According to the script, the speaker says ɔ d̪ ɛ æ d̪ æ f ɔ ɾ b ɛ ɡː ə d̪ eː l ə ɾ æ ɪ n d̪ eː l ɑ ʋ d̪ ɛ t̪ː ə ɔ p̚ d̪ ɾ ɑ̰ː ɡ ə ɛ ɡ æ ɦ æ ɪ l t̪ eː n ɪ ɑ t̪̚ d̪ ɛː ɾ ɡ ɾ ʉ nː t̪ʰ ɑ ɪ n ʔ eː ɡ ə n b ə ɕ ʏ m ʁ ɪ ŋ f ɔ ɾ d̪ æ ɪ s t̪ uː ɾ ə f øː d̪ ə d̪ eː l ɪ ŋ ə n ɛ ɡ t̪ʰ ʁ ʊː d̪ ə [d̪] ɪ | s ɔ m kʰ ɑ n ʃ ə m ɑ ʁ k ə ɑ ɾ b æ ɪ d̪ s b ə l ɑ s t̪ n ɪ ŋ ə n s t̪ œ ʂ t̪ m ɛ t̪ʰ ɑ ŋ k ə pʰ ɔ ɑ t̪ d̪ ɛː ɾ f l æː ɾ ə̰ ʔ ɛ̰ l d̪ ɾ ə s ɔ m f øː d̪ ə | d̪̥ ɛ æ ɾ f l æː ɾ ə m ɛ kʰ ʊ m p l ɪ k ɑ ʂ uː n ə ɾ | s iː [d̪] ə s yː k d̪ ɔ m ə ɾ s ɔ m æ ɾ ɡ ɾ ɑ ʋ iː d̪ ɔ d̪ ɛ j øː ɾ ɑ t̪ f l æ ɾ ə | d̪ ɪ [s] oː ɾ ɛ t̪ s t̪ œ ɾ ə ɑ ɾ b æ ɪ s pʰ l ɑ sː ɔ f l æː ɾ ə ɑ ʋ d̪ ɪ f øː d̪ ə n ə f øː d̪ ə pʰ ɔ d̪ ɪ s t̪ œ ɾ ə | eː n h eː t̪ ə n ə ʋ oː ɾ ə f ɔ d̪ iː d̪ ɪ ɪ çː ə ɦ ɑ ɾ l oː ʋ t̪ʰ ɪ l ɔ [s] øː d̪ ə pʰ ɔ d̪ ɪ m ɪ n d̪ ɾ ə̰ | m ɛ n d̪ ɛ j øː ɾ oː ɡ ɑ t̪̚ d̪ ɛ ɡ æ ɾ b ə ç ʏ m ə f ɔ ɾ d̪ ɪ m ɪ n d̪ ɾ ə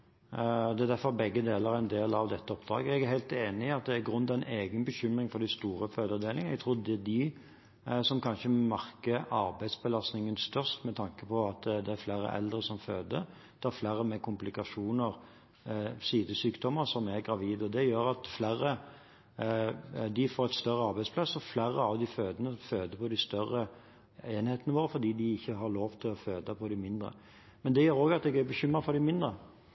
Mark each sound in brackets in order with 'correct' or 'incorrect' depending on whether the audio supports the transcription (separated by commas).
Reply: correct, correct, incorrect, incorrect